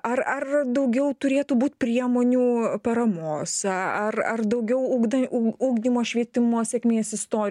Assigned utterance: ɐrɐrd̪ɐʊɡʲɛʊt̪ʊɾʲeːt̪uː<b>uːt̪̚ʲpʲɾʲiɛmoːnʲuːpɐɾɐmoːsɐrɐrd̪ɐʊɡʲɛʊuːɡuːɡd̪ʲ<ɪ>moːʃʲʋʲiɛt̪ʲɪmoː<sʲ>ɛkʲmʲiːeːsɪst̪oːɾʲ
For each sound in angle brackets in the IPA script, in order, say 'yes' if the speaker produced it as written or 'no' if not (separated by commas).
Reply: yes, no, yes